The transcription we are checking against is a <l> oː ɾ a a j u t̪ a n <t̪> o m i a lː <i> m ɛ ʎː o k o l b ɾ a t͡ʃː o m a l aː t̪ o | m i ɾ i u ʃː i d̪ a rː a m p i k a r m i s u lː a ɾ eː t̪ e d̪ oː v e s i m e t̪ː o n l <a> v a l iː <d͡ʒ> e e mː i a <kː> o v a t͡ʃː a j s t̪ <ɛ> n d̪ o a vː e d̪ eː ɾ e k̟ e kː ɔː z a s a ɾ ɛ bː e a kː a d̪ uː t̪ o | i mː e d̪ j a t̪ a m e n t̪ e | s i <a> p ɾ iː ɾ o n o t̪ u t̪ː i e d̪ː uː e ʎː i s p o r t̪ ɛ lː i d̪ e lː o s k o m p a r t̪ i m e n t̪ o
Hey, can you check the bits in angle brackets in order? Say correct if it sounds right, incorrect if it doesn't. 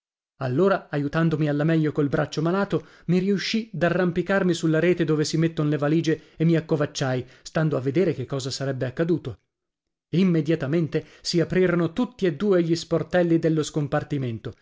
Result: incorrect: lː, incorrect: d̪, incorrect: a, incorrect: e, correct, correct, incorrect: a, correct

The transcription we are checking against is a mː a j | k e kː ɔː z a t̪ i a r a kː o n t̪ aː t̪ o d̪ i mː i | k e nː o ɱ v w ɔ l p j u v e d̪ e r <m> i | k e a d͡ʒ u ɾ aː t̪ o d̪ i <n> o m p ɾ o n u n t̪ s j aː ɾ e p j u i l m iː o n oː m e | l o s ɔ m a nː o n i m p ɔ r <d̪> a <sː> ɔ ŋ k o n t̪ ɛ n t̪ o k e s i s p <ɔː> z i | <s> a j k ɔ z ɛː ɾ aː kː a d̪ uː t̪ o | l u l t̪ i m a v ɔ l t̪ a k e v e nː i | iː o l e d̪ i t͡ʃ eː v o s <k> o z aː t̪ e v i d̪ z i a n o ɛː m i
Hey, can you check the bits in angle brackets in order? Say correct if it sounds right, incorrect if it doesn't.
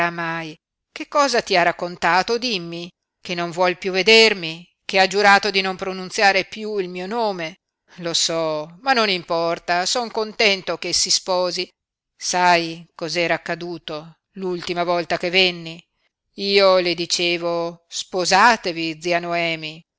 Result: correct, correct, incorrect: t̪, incorrect: s, correct, correct, incorrect: p

